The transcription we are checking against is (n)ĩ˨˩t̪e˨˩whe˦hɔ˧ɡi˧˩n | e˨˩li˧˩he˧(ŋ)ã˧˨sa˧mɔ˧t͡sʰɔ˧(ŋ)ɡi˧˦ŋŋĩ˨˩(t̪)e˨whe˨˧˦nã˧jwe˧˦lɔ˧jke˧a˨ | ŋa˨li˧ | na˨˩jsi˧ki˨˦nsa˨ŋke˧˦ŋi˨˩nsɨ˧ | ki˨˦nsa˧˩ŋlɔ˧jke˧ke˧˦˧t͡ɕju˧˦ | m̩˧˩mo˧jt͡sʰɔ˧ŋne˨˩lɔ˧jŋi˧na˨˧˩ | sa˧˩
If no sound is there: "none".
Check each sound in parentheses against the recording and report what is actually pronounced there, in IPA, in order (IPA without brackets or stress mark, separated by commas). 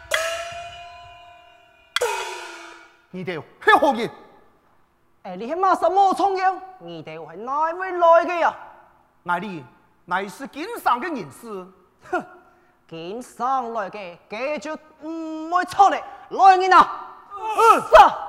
ŋ, m, ŋ, t̪